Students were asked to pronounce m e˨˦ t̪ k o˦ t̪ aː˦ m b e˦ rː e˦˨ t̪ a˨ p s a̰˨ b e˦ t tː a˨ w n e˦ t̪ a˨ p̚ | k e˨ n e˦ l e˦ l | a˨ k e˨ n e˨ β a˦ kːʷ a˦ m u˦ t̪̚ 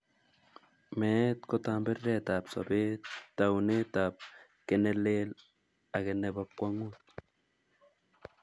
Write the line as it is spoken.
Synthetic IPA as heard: m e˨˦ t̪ k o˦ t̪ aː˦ m b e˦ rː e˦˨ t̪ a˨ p s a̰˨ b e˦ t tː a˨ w n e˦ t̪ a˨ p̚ | k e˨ n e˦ l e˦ l | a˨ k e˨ n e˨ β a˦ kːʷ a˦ ŋ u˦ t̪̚

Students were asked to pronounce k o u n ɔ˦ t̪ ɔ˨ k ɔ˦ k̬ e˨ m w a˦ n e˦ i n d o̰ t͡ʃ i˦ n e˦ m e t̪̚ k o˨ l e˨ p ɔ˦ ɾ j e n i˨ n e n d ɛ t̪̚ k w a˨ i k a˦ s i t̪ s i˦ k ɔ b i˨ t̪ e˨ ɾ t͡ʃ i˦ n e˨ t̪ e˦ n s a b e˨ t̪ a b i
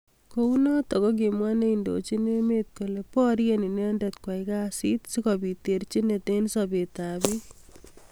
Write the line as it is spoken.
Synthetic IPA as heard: k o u n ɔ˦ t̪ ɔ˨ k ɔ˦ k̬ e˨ m w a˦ n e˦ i n d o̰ t͡ʃ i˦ n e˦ m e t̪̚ k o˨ l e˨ p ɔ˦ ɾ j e n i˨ n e n d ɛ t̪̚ k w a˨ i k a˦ s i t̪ s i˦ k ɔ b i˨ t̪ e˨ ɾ t͡ʃ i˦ n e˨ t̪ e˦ n s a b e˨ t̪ a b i

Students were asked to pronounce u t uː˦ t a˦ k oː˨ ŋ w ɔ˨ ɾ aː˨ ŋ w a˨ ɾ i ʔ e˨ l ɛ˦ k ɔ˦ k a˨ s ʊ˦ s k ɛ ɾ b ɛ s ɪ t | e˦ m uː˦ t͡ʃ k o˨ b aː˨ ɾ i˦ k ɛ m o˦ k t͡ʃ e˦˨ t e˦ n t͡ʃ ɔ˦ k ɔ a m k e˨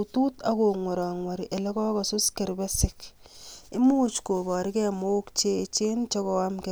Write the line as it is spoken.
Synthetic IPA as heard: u t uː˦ t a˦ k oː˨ ŋ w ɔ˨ ɾ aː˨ ŋ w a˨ ɾ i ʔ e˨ l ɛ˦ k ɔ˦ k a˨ s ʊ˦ s k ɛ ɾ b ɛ s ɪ k | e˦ m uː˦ t͡ʃ k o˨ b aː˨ ɾ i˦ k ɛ m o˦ k t͡ʃ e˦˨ t͡ʃ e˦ n t͡ʃ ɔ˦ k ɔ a m k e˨

